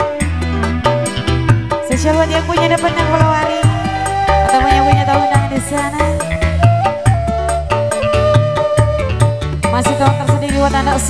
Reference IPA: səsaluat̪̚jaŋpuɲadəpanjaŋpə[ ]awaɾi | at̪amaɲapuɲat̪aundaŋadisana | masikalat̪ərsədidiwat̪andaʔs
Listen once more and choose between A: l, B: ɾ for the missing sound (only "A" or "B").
A